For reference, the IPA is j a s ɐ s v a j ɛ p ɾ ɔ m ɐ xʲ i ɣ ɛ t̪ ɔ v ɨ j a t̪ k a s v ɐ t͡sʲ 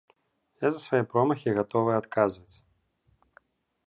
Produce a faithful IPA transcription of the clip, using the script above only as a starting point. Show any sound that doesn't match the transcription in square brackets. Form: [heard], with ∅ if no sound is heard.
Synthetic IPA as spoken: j a [z] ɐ s v a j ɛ p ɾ ɔ m ɐ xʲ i ɣ [a] t̪ ɔ v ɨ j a t̪ k a [z] v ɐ t͡sʲ